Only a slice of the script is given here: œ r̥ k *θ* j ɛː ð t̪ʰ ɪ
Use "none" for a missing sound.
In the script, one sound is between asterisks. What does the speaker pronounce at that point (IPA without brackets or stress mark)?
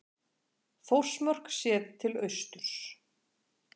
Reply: s